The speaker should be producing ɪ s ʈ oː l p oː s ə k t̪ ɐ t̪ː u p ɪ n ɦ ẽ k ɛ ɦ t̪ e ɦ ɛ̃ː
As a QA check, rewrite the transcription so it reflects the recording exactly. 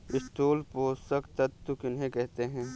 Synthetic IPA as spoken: ɪ s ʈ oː l p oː s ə k t̪ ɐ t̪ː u k ɪ n ɦ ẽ k ɛ ɦ t̪ e ɦ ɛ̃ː